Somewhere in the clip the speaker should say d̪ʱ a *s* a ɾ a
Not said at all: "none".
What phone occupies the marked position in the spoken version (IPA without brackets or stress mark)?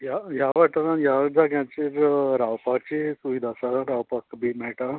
s